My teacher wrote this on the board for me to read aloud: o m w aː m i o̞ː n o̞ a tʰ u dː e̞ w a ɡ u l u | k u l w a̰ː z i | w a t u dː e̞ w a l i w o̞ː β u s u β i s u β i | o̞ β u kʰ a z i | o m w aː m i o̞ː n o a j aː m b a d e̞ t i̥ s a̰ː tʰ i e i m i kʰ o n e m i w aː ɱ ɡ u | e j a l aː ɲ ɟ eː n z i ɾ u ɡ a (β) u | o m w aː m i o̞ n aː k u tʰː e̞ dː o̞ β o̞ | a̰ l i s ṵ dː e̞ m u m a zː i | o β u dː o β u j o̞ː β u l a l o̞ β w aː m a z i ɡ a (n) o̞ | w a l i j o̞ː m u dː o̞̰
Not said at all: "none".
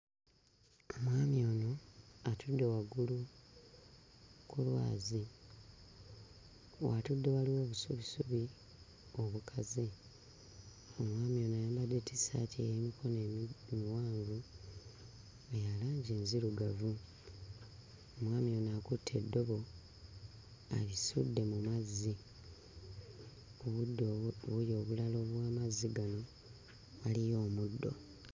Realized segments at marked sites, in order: v, n

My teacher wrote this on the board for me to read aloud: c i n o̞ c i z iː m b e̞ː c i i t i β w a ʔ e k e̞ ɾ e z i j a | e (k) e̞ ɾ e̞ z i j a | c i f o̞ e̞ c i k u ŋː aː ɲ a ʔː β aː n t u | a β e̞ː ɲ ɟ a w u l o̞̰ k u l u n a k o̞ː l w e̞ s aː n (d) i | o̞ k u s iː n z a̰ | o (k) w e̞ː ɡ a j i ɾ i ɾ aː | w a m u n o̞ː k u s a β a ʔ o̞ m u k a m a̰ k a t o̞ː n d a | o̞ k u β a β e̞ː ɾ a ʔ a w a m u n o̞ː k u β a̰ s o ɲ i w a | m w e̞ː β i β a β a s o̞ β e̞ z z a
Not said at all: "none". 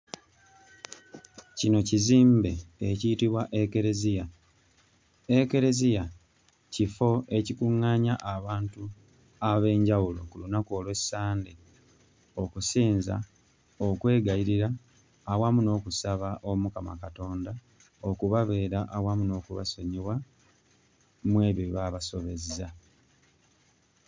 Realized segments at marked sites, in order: k, d, k

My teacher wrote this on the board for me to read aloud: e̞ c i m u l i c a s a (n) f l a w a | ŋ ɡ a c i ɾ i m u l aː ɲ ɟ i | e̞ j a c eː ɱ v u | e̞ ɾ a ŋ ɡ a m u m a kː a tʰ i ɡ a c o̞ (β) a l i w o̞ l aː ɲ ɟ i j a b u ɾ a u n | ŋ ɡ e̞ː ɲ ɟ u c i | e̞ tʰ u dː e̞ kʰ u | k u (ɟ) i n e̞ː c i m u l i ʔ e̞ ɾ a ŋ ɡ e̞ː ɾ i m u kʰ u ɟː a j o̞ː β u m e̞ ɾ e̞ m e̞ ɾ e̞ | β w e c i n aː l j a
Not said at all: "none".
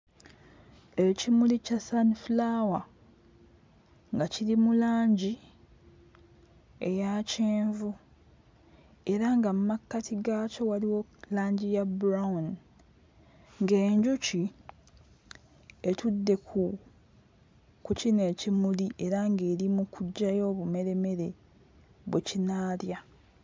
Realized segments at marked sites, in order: n, w, c

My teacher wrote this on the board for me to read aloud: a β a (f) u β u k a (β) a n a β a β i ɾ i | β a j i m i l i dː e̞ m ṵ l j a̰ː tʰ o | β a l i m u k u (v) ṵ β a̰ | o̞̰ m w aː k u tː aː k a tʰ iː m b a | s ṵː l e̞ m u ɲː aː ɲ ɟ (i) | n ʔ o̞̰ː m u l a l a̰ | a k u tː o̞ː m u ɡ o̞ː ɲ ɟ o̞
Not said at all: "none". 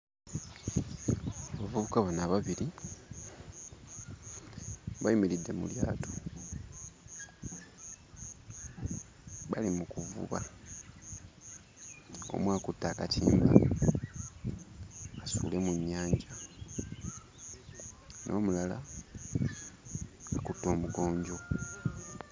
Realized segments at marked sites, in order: v, β, v, a

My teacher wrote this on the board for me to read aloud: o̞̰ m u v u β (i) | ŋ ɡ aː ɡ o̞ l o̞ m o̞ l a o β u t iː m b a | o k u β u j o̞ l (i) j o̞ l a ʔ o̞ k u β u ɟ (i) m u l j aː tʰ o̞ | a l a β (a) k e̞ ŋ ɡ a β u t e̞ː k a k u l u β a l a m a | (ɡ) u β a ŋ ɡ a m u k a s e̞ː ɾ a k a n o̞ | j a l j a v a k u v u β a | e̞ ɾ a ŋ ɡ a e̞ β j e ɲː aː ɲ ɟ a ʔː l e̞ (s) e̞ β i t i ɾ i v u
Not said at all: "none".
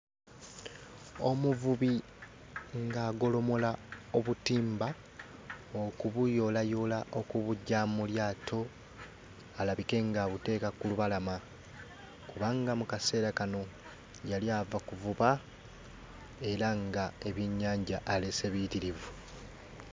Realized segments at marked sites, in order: i, a, a, i, k, s

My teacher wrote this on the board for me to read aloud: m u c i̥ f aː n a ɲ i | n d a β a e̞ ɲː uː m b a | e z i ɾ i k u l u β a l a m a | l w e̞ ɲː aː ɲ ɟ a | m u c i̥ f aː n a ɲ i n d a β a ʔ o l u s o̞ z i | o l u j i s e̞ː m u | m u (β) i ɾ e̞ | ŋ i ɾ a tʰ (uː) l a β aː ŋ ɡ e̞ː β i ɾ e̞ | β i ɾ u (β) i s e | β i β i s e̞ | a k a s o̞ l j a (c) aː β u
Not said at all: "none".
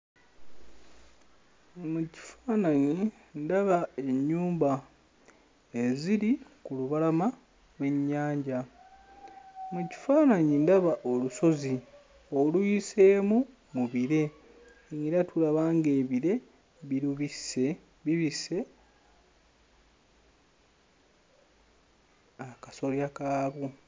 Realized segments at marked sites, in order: β, u, β, k

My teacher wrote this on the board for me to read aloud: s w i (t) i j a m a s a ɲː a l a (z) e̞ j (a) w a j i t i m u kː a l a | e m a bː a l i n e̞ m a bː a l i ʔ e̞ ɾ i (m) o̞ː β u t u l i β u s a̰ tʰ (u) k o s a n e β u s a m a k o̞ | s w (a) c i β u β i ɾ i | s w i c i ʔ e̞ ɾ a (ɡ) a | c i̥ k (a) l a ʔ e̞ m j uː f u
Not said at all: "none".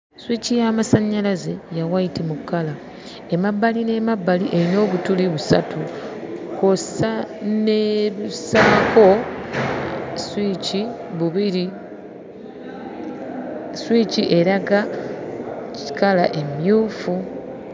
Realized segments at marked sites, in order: c, z, a, n, u, i, ɡ, a

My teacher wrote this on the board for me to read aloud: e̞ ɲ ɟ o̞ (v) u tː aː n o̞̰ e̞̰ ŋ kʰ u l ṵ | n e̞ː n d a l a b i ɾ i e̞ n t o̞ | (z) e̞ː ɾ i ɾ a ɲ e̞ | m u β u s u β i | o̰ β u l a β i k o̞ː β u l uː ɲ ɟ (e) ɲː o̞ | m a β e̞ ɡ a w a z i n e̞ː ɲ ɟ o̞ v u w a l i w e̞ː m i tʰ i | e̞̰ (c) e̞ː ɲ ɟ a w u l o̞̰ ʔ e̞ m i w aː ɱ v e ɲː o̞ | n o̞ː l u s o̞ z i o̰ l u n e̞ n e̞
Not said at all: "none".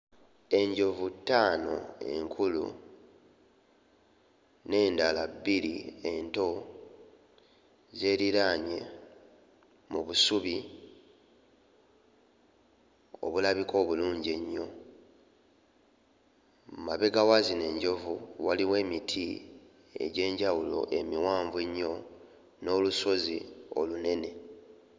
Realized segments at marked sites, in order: v, z, e, ɟ

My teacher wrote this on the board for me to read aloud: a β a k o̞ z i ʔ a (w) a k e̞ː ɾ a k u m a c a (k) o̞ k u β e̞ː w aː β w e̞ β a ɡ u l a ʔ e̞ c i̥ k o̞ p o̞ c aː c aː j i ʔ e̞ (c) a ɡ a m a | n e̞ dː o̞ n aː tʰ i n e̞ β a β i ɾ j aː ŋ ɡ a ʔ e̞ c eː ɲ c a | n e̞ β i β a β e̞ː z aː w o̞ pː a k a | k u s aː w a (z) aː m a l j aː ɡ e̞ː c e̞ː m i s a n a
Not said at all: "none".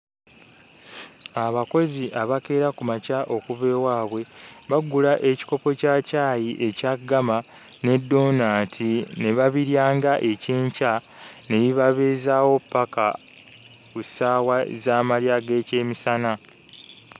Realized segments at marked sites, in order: β, ʔ, c, z

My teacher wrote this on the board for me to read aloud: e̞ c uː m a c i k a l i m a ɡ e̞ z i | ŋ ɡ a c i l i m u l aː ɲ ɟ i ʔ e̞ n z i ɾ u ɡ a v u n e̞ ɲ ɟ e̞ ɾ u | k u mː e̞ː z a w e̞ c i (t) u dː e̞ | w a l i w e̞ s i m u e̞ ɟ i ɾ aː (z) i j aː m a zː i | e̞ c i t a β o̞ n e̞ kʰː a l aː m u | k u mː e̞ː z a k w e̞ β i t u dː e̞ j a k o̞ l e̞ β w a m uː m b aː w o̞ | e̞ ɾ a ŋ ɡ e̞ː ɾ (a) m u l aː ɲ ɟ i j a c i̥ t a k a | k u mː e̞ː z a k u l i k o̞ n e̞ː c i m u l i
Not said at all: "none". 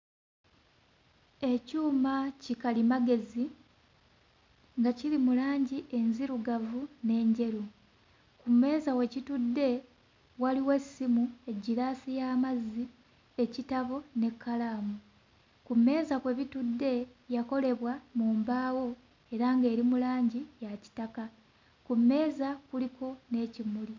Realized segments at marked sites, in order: t, s, i

